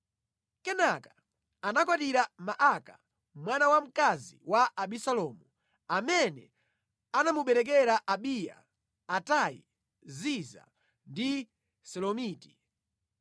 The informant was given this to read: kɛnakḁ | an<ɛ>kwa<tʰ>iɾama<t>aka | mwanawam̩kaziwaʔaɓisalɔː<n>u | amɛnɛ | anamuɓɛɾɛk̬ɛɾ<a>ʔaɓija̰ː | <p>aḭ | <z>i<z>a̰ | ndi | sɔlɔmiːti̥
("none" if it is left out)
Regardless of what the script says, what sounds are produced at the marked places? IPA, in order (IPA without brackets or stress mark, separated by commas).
a, t, ʔ, m, a, t, z, z